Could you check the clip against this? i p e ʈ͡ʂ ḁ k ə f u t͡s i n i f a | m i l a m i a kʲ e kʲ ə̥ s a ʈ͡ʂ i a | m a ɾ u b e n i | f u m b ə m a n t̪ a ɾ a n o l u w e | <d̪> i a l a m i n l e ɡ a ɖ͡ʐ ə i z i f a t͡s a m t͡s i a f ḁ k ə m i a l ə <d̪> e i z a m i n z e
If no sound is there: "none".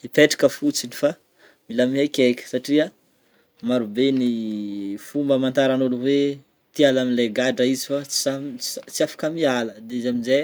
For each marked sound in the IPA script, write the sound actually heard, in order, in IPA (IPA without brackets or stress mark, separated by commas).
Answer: t̪, d̪